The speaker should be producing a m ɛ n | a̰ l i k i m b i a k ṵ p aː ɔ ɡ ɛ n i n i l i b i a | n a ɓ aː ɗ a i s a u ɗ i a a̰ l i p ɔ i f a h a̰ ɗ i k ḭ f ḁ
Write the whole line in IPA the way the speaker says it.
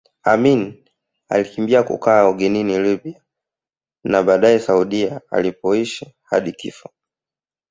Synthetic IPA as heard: a m i n | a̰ l i k i m b i a k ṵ k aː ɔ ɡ ɛ n i n i l i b i a | n a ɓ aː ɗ a ɛ s a u ɗ i a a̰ l i p ɔ i ʃ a h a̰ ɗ i k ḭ f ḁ